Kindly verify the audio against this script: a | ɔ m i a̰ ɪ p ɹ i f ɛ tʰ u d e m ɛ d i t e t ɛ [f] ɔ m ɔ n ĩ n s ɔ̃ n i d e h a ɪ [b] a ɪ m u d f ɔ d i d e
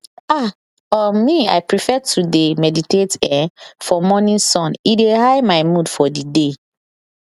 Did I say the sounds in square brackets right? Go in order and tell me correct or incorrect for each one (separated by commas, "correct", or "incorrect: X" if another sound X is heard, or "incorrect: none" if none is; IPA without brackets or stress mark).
correct, incorrect: m